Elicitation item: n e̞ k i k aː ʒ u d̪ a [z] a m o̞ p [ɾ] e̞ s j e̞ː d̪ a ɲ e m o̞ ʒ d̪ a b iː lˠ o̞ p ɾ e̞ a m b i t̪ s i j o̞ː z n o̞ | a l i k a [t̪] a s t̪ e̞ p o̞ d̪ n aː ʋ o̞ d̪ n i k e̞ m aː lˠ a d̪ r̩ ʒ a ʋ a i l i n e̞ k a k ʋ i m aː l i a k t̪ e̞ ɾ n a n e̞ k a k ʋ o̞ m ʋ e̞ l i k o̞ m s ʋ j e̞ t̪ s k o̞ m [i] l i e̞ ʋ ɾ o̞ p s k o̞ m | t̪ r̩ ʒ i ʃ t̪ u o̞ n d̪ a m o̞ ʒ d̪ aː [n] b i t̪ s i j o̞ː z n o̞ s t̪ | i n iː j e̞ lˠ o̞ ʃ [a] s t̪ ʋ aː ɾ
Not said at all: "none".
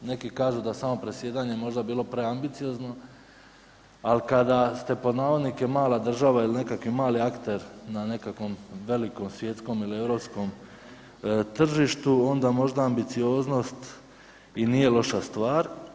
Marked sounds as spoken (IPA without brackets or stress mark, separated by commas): s, ɾ, d̪, i, m, a